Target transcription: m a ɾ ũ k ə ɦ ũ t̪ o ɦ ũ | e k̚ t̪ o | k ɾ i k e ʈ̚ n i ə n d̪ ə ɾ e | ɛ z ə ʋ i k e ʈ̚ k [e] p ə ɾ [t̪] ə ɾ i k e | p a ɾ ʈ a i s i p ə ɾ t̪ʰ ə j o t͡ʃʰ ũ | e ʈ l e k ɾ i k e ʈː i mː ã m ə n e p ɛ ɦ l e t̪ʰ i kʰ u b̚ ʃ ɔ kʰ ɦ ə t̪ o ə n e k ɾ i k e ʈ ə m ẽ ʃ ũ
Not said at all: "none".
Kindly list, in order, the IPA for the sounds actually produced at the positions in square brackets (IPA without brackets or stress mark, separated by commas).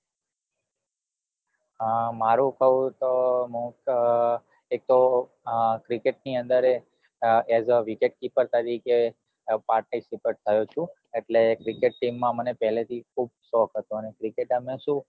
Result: i, t̪